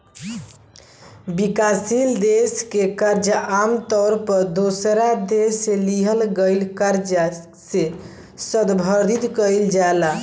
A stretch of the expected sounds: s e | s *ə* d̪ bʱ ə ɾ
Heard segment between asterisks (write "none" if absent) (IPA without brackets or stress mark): ə